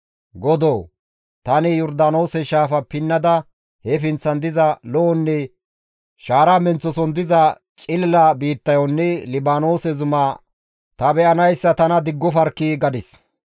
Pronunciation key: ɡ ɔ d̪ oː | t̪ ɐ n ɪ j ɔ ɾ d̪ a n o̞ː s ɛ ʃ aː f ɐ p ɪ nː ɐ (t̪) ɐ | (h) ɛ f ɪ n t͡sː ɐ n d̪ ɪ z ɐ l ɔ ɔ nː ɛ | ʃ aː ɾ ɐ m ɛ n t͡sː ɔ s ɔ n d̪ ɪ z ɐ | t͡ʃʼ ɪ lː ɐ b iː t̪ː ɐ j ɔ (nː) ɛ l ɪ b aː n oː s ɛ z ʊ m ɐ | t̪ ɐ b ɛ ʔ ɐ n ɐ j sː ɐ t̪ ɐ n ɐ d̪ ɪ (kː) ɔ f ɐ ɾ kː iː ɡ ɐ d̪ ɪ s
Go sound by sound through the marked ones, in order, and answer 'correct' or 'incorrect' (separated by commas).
incorrect, correct, correct, incorrect